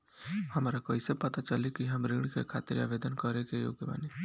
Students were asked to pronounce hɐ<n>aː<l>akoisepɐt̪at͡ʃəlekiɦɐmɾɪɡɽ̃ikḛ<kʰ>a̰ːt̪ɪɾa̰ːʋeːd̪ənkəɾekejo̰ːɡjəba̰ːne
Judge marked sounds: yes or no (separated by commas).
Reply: no, no, yes